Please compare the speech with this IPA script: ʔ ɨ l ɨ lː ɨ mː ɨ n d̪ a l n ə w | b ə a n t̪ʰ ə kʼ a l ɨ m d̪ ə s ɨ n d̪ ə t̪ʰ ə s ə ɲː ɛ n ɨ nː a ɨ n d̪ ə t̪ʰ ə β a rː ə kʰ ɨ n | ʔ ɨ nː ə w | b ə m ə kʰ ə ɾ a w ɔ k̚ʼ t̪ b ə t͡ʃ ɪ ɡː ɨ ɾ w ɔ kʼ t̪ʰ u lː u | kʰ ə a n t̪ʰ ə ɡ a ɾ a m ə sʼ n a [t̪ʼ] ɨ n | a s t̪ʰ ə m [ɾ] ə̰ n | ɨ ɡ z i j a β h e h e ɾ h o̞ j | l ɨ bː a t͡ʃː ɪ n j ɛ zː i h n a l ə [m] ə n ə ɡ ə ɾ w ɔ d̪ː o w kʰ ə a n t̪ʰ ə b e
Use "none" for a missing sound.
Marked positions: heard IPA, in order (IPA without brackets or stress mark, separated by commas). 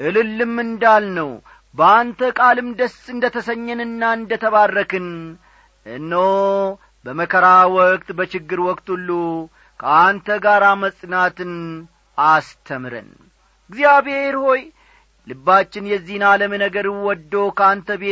t̪, ɾ, m